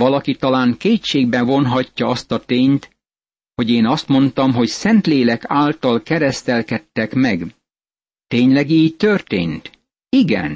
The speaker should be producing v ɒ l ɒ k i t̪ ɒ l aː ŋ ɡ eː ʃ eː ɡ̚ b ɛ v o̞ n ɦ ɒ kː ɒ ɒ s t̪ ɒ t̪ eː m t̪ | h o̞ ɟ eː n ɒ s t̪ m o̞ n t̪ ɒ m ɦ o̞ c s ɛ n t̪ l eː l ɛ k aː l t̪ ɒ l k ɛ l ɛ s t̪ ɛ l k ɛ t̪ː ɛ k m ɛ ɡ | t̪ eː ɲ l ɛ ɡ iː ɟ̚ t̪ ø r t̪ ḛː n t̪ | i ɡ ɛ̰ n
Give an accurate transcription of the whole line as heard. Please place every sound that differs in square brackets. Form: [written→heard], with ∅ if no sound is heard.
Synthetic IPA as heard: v ɒ l ɒ k i t̪ ɒ l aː ŋ [ɡ→k] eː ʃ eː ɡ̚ b ɛ v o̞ n ɦ ɒ [kː→cː] ɒ ɒ s t̪ ɒ t̪ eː [m→ɲ] t̪ | h o̞ ɟ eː n ɒ s t̪ m o̞ n t̪ ɒ m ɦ o̞ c s ɛ n t̪ l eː l ɛ k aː l t̪ ɒ l k ɛ [l→ɾ] ɛ s t̪ ɛ l k ɛ t̪ː ɛ k m ɛ ɡ | t̪ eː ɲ l ɛ ɡ iː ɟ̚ t̪ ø r t̪ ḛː n t̪ | i ɡ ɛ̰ n